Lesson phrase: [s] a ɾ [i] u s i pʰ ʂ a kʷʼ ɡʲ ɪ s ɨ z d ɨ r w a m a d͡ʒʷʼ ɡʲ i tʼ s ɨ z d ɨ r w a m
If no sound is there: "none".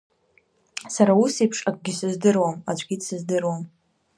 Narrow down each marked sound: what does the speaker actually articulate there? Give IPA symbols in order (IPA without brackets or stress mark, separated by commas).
s, a